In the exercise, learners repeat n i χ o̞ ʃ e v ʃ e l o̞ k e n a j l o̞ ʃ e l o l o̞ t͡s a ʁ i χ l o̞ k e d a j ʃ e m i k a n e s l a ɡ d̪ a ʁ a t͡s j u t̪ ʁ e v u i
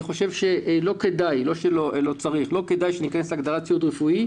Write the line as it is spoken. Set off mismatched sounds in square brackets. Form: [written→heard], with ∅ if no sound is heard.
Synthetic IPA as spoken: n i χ o̞ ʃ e v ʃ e l o̞ k e [n→d] a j l o̞ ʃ e l o l o̞ t͡s a ʁ i χ l o̞ k e d a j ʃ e [m→n] i k a n e s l a ɡ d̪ a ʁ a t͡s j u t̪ ʁ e [v→f] u i